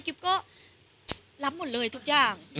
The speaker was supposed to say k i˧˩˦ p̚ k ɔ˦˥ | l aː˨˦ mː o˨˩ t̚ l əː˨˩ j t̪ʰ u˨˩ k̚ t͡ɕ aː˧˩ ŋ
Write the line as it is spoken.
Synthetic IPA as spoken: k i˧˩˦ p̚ k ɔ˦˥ | l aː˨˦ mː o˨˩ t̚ l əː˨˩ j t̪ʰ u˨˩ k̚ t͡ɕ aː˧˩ ŋ